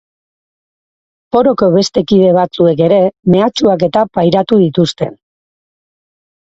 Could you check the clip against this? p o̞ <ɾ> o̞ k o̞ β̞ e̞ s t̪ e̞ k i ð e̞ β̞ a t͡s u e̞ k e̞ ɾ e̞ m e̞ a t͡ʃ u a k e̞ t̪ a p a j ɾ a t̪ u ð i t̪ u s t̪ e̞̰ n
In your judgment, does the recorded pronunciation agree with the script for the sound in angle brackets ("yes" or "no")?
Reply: yes